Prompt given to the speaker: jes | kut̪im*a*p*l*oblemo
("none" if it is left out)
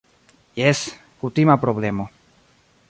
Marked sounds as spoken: a, ɾ

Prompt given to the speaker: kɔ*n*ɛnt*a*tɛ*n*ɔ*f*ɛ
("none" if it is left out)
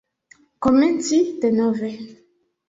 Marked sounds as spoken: m, i, n, v

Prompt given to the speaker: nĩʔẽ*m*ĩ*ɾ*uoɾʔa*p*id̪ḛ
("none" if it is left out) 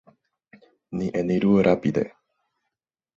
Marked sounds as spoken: n, ɾ, p

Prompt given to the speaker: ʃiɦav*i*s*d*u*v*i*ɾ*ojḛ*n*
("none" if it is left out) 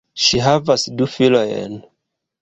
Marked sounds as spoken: a, d, f, l, n

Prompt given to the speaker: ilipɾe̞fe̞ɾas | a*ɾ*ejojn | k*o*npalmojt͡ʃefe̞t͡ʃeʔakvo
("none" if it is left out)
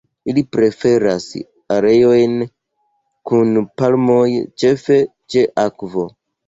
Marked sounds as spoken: ɾ, u

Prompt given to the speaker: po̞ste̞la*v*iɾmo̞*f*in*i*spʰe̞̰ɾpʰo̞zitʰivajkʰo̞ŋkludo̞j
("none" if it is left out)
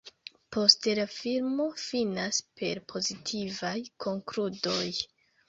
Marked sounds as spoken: f, f, a

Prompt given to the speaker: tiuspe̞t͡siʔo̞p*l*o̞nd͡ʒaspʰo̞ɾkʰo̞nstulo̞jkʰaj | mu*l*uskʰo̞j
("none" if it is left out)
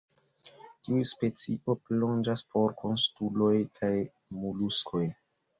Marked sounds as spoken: l, l

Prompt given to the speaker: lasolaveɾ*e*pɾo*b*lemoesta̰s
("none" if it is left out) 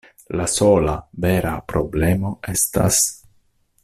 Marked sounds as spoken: a, b

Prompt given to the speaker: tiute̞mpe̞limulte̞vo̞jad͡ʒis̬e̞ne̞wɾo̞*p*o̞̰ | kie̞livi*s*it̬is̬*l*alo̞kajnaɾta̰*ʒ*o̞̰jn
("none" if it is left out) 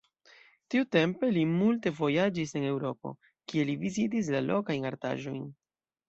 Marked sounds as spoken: p, z, l, ʒ

